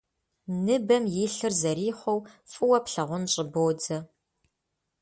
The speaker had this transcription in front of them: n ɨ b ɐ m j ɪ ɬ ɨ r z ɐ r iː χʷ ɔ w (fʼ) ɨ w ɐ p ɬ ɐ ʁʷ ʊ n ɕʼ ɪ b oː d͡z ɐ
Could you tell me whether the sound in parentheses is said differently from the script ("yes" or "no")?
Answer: no